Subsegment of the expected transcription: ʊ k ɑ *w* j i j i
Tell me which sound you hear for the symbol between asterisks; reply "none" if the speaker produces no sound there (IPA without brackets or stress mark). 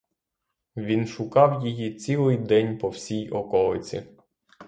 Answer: w